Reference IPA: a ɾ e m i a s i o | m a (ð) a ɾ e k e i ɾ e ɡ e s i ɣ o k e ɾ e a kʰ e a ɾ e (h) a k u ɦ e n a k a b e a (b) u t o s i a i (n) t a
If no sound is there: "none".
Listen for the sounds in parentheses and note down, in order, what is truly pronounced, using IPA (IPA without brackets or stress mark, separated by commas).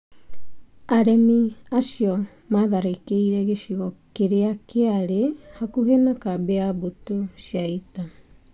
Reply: ð, h, b, none